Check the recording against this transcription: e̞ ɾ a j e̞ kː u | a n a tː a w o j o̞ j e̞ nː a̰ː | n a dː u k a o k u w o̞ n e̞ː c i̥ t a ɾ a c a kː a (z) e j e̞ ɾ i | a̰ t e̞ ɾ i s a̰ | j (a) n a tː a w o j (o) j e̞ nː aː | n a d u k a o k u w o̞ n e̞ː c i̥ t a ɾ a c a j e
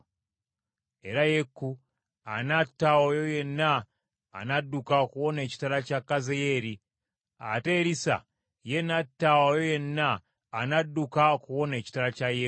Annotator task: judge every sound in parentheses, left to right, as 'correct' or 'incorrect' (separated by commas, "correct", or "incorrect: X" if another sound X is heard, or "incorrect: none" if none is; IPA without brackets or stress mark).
correct, incorrect: e, correct